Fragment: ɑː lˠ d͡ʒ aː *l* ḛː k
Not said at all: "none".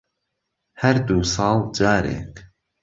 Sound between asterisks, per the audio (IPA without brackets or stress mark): ɾ